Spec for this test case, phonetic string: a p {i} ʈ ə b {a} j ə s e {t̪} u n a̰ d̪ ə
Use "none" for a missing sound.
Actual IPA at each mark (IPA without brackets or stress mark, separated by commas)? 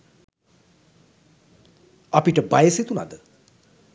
i, a, t̪